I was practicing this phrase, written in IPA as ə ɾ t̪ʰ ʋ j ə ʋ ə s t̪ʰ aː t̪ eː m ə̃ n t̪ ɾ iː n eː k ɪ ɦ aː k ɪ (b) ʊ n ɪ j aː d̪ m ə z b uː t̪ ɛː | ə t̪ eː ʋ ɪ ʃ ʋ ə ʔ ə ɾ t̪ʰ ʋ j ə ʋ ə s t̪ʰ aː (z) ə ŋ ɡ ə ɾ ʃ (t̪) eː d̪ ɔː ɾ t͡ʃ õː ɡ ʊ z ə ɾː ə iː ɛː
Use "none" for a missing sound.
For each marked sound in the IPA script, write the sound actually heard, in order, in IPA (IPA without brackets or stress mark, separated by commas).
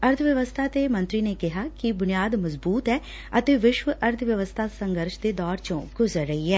b, s, d̪